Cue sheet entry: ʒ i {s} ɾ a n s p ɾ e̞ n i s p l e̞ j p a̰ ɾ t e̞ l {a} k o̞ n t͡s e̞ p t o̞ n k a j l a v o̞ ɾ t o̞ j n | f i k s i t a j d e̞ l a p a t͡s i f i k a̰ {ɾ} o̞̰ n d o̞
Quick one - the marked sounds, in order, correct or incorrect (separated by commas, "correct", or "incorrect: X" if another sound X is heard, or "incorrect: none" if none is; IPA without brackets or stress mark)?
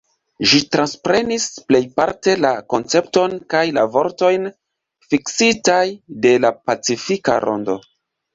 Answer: incorrect: t, correct, correct